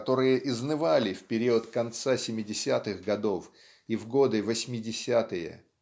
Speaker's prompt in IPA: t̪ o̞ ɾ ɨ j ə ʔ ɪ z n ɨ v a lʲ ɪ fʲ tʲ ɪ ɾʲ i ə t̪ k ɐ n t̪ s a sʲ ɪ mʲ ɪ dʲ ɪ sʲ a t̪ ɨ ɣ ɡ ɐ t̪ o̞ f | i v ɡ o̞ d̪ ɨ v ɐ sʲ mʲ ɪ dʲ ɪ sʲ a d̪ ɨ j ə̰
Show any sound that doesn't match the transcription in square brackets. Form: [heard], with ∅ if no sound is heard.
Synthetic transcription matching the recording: t̪ o̞ ɾ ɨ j ə ʔ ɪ z n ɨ v a lʲ ɪ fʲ [pʲ] ɪ ɾʲ i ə t̪ k ɐ n t̪ s a sʲ ɪ mʲ ɪ dʲ ɪ sʲ a t̪ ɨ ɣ ɡ ɐ [d̪] o̞ f | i v ɡ o̞ d̪ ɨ v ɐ sʲ mʲ ɪ dʲ ɪ sʲ a [t̪] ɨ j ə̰